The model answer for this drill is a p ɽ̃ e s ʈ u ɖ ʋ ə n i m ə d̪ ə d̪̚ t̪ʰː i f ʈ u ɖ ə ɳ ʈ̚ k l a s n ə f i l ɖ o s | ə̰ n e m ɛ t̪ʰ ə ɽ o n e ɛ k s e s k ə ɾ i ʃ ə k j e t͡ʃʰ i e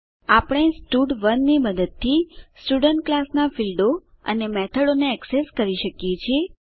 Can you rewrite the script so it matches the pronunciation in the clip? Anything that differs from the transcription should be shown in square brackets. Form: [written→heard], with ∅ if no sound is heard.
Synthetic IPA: a p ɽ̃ e s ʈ u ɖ ʋ ə [n→nː] i m ə d̪ ə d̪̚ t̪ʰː i [f→s] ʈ u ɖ ə ɳ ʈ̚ k l a s n [ə→a] f i l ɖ o [s→∅] | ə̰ n e m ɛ t̪ʰ ə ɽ o n e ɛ k s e s k ə ɾ i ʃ ə k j e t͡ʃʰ i e

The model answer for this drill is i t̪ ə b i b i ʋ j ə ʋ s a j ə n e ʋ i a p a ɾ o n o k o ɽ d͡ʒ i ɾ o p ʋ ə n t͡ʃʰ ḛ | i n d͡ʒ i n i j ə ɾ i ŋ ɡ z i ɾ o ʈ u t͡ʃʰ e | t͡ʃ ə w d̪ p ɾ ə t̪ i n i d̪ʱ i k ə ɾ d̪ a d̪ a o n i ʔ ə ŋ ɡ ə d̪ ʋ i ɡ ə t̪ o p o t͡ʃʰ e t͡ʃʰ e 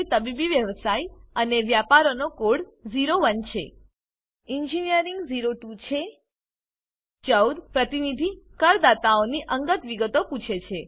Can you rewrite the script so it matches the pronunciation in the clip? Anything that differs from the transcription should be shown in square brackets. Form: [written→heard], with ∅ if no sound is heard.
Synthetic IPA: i t̪ ə b i b i ʋ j ə ʋ s a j ə n e ʋ [i→j] a p a ɾ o n o k o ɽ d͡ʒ i ɾ o [p→∅] ʋ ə n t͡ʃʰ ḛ | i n d͡ʒ i n i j ə ɾ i ŋ ɡ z i ɾ o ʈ u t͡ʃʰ e | t͡ʃ ə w d̪ p ɾ ə t̪ i n i d̪ʱ i k ə ɾ d̪ a [d̪→t̪] a o n i ʔ ə ŋ ɡ ə [d̪→t̪] ʋ i ɡ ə t̪ o p [o→u] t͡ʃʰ e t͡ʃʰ e

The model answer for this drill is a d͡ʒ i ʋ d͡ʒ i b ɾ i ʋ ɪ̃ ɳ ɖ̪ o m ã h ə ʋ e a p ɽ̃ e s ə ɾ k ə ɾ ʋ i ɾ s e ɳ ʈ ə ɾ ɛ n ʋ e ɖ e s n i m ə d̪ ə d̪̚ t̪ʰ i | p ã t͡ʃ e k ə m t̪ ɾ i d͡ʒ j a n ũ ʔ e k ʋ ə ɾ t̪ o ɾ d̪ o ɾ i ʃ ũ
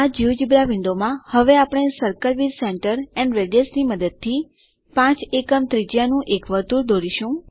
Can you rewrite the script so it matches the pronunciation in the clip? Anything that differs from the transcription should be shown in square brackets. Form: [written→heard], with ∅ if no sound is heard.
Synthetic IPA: a d͡ʒ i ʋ d͡ʒ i b ɾ [i→a] ʋ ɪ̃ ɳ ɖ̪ o m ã h ə ʋ e a p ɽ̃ e s ə ɾ k ə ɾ ʋ i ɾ s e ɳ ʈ ə ɾ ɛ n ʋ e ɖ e s n i m ə d̪ ə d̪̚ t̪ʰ i | p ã t͡ʃ e k ə m t̪ ɾ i d͡ʒ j a n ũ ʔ e k ʋ ə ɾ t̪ [o→u] ɾ d̪ o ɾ i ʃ ũ

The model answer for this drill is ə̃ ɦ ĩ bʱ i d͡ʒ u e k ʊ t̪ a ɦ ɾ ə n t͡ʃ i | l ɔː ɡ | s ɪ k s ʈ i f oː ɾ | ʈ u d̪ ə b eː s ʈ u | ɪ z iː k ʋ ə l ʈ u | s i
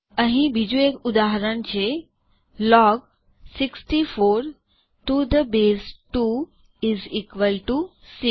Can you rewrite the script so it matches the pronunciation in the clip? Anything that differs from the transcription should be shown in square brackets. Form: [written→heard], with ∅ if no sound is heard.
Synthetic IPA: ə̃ ɦ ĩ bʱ i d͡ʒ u e k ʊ [t̪→d̪] a ɦ ɾ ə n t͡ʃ [i→e] | l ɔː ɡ | s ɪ k s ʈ i f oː ɾ | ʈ u d̪ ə b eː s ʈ u | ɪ z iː k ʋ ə l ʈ u | s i

